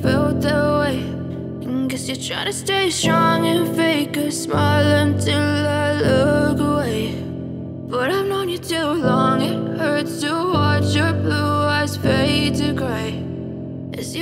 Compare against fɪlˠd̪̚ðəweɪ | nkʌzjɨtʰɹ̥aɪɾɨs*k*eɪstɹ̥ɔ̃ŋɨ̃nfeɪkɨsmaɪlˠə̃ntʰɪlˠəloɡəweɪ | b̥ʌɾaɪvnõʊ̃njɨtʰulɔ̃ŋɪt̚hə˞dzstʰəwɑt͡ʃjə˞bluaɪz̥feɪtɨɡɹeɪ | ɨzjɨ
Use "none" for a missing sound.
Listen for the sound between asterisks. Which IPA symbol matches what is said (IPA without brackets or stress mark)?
t